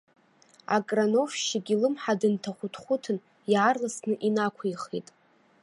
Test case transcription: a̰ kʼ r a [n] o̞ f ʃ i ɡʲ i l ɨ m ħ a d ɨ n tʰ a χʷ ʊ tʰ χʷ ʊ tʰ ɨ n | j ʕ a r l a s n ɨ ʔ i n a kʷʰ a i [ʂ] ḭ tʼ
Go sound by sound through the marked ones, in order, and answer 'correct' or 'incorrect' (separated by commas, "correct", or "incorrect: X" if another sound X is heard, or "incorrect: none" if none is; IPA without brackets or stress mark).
correct, incorrect: χ